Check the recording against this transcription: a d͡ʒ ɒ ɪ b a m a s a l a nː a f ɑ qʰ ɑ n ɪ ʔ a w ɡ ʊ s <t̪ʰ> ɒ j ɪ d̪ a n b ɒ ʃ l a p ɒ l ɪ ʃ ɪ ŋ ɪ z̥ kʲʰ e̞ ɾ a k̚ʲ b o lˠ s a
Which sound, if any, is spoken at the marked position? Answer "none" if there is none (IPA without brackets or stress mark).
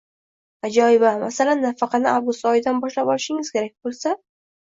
t̪